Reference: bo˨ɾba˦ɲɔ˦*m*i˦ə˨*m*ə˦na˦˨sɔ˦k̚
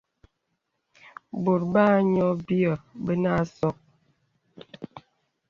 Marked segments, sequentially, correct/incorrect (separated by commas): incorrect, incorrect